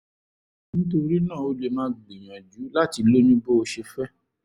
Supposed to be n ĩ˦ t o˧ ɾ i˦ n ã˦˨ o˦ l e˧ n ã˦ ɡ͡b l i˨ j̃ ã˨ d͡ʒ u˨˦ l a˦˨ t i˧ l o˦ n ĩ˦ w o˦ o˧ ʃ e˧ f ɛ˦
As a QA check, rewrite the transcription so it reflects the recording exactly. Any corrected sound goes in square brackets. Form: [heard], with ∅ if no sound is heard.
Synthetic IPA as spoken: n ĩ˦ t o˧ ɾ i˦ n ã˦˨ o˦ l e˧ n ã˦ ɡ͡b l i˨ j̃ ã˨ d͡ʒ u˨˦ l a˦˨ t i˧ l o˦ n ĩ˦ [b] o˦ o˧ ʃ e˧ f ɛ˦